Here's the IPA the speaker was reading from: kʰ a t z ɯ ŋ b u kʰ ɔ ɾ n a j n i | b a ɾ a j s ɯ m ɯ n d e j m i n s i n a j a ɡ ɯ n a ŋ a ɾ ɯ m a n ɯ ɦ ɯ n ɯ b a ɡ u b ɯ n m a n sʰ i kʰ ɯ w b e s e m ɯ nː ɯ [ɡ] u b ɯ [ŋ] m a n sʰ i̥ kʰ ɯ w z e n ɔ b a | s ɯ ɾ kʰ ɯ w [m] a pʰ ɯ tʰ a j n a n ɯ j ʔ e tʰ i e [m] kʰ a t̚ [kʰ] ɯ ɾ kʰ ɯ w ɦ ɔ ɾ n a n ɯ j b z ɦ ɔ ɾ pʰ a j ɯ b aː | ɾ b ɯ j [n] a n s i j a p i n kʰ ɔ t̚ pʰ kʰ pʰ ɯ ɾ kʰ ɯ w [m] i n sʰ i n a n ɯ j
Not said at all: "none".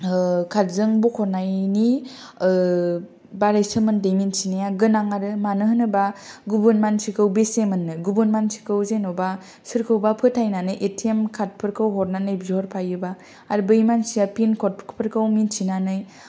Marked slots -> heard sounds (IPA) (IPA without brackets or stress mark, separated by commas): ɡ, n, b, m, pʰ, m, m